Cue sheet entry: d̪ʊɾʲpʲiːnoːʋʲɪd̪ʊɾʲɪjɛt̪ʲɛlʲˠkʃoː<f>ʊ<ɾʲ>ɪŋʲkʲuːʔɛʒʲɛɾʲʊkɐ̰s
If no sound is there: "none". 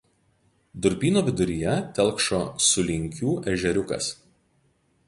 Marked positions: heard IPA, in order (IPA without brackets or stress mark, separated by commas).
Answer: s, lʲ